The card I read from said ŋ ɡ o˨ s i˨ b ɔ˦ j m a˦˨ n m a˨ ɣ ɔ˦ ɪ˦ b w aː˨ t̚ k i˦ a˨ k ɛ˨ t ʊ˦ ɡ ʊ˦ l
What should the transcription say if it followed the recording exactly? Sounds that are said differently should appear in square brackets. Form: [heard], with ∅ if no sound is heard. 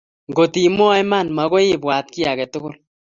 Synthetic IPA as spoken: ŋ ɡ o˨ [t] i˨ [m] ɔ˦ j m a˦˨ n m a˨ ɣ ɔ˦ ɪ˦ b w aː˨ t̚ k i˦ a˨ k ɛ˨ t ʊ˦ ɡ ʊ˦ l